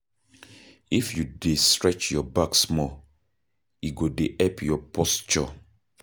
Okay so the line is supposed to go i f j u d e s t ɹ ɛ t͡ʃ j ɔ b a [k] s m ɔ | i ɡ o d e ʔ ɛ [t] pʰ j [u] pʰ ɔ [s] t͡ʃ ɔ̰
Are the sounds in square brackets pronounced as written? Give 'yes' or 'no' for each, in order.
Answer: yes, no, no, yes

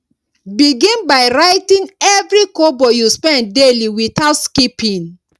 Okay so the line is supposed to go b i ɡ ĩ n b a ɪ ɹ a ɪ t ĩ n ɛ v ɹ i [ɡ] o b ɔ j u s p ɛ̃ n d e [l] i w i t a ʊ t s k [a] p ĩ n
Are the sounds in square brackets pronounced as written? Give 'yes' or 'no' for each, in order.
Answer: no, yes, no

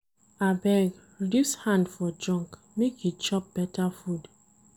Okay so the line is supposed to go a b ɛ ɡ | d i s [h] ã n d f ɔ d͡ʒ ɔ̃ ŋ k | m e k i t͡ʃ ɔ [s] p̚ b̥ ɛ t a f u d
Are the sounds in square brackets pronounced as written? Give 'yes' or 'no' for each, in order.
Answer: yes, no

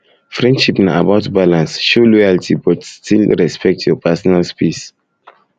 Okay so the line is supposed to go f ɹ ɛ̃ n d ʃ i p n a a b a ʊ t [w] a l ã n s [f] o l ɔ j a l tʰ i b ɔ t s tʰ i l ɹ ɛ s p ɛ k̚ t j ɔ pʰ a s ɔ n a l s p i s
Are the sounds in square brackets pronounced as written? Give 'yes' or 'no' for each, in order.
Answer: no, no

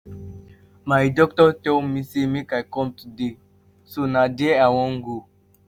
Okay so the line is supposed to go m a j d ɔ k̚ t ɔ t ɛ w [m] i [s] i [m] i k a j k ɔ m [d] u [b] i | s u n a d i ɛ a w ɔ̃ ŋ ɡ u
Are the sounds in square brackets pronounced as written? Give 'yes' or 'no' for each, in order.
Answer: yes, yes, yes, no, no

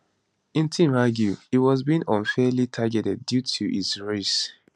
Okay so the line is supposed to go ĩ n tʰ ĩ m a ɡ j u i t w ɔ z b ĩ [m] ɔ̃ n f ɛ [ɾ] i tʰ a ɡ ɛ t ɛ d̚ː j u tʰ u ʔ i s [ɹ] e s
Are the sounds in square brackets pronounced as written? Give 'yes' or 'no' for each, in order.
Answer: no, no, yes

